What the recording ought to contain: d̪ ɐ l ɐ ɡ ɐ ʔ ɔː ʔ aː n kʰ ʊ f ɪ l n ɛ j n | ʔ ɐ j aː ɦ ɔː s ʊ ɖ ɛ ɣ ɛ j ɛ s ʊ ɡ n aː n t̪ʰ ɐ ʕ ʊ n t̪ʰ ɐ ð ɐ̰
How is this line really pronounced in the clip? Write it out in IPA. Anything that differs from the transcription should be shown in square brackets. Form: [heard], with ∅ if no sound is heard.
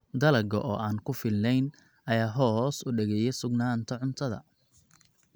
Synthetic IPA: d̪ ɐ l ɐ ɡ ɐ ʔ ɔː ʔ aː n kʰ ʊ f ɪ l n ɛ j n | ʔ ɐ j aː ɦ ɔː s ʊ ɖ ɛ ɣ ɛ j ɛ s ʊ ɡ n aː n t̪ʰ ɐ ʕ ʊ n t̪ʰ ɐ ð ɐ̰